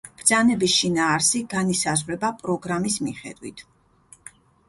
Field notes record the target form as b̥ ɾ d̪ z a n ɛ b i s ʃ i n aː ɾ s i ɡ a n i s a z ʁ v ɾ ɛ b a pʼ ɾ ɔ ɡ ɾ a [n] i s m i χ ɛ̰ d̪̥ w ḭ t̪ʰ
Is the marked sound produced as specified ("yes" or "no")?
no